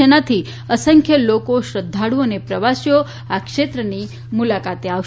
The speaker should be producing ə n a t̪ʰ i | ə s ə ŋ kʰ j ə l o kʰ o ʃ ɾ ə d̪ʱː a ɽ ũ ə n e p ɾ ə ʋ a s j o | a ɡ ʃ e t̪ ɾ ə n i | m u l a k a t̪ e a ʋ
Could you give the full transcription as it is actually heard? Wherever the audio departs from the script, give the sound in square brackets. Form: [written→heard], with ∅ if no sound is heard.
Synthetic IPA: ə n a t̪ʰ i | ə s ə ŋ kʰ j ə l o [kʰ→k] o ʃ ɾ ə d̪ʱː a ɽ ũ ə n e p ɾ ə ʋ a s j o | a [ɡ→k] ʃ e t̪ ɾ ə n i | m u l a k a t̪ e a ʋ